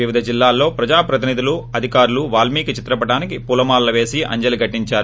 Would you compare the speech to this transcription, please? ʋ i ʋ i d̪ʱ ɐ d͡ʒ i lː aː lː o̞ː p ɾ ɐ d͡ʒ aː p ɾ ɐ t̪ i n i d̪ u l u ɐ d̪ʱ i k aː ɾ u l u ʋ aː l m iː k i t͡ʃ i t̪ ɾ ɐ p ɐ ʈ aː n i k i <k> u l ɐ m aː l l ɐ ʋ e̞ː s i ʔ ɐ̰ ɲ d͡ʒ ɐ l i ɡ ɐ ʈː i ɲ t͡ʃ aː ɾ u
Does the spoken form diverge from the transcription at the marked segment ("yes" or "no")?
yes